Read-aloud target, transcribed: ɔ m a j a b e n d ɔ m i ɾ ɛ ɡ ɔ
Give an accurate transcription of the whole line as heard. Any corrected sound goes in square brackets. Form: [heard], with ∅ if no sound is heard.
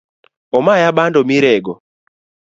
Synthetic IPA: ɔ m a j a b [a] n d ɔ m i ɾ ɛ ɡ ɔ